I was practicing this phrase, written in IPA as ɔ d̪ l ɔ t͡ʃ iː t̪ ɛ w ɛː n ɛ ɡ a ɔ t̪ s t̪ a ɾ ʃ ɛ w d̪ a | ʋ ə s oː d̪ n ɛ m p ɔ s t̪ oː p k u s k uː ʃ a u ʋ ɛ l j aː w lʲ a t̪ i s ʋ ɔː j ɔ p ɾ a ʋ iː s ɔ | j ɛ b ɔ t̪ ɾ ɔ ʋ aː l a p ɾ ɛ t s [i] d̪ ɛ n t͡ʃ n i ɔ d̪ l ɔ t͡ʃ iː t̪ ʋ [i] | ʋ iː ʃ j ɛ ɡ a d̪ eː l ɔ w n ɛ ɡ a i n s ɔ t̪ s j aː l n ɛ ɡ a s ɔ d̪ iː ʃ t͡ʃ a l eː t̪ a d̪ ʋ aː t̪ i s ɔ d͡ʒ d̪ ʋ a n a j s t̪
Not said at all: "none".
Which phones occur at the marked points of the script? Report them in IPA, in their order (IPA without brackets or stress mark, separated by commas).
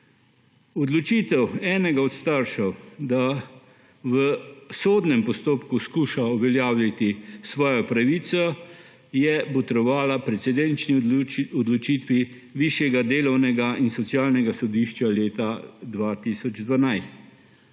ɛ, i